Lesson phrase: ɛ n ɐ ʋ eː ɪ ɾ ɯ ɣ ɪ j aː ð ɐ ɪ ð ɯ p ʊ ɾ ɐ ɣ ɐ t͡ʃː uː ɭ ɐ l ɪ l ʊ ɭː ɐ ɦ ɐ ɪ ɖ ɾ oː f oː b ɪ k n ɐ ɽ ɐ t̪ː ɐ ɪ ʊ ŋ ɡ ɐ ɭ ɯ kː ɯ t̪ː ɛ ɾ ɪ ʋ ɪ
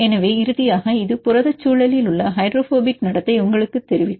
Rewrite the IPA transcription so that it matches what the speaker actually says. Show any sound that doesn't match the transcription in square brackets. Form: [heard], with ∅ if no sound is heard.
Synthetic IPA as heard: ɛ n ɐ ʋ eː ɪ ɾ ɯ [ð] ɪ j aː [ɣ] ɐ ɪ ð ɯ p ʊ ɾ ɐ [ð] ɐ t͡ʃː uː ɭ ɐ l ɪ l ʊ ɭː ɐ ɦ ɐ ɪ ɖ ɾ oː f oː b ɪ k n ɐ ɽ ɐ t̪ː ɐ ɪ ʊ ŋ ɡ ɐ ɭ ɯ kː ɯ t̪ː ɛ ɾ ɪ ʋ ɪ